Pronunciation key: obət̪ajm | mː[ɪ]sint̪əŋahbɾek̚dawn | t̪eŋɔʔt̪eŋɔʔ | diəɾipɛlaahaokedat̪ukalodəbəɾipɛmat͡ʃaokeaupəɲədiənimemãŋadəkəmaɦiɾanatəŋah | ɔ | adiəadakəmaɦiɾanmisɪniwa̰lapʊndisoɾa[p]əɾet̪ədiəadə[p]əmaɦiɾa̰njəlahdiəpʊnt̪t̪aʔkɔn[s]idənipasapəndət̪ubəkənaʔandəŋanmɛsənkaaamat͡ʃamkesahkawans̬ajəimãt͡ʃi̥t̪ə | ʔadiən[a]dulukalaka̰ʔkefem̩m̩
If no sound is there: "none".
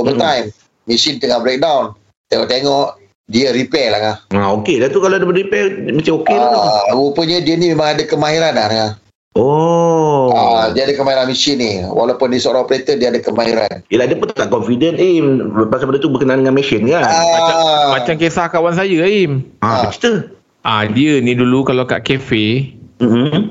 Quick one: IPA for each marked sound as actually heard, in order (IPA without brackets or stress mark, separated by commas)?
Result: i, p, k, f, i